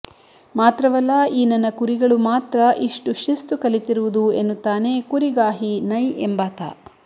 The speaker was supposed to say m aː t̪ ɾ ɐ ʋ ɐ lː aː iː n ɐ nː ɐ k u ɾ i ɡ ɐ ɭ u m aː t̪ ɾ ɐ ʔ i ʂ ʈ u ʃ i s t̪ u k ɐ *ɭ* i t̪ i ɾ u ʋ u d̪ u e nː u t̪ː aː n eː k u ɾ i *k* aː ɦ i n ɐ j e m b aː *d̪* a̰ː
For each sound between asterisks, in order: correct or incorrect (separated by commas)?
incorrect, incorrect, incorrect